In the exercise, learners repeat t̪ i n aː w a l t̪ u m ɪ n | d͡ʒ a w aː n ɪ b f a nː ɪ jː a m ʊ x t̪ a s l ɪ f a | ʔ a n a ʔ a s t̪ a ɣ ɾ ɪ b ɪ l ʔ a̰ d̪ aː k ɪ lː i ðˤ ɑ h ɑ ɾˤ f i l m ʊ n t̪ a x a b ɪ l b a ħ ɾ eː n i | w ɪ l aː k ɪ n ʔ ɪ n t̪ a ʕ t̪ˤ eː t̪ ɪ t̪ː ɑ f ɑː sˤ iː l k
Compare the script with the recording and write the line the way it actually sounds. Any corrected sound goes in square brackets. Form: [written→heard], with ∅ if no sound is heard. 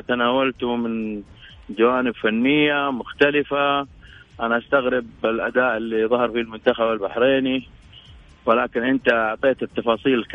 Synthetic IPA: t̪ [i→a] n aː w a l t̪ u m ɪ n | d͡ʒ a w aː n ɪ b f a nː ɪ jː a m ʊ x t̪ a [s→∅] l ɪ f a | ʔ a n a ʔ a s t̪ a ɣ ɾ ɪ b ɪ l ʔ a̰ d̪ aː [k→ʔ] ɪ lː i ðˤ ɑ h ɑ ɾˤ f i l m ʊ n t̪ a x a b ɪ l b a ħ ɾ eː n i | w ɪ l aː k ɪ n ʔ ɪ n t̪ a ʕ t̪ˤ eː t̪ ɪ t̪ː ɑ f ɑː sˤ iː l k